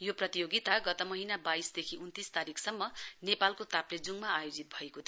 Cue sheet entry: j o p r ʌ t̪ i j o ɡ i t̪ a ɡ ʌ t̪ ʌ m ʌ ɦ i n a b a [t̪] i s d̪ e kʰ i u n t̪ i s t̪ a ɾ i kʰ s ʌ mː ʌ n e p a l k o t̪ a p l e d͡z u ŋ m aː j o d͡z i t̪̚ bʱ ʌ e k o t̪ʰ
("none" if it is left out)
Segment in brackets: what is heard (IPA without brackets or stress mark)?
none